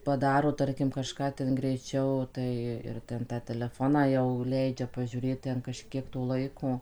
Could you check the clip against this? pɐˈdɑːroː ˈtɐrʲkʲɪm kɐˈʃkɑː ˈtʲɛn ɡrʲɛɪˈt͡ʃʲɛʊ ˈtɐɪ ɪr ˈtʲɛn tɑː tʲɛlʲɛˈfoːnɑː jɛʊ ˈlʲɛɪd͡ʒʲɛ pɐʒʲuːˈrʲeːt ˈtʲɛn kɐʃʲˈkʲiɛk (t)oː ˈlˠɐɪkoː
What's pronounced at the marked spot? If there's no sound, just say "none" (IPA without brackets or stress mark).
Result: t